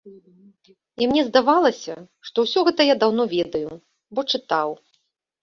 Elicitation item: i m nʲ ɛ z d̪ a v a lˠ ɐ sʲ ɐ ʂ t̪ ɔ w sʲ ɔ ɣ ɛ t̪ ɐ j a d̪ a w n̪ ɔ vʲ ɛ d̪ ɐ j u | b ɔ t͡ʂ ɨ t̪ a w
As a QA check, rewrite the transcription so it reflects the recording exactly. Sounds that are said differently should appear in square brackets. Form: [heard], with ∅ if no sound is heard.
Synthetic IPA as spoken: i m nʲ ɛ z d̪ a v a lˠ ɐ sʲ ɐ ʂ t̪ ɔ w sʲ ɔ ɣ ɛ t̪ ɐ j a d̪ a w n̪ ɔ vʲ ɛ d̪ ɐ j u | b ɔ t͡ʂ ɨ t̪ a w